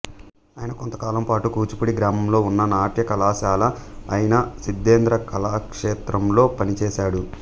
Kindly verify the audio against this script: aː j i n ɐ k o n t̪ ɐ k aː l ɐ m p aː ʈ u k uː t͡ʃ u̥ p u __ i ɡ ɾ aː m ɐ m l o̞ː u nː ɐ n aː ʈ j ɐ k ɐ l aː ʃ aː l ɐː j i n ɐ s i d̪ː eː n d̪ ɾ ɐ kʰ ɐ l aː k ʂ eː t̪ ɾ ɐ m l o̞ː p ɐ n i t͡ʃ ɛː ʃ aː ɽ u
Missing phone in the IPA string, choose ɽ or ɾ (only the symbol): ɽ